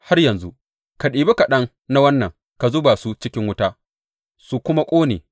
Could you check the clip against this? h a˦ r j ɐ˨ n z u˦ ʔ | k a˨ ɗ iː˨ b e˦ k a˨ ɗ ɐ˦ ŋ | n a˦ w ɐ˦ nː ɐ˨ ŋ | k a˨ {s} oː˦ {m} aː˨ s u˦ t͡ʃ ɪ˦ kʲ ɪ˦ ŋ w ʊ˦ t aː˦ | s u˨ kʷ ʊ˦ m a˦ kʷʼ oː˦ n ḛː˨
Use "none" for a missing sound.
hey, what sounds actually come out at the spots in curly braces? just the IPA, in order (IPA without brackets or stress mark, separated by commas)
z, b